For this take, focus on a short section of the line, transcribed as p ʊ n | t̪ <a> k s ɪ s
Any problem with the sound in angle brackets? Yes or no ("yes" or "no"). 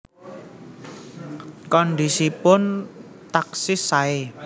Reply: no